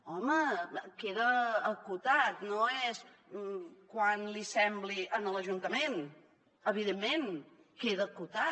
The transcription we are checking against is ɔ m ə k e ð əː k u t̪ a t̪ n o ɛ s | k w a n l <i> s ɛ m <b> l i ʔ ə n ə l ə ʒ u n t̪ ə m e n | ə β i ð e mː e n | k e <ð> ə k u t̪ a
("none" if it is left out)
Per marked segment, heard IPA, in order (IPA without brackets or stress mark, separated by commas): i, b, ð